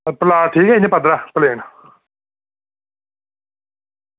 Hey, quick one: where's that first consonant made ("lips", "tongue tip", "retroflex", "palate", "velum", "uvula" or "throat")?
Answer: lips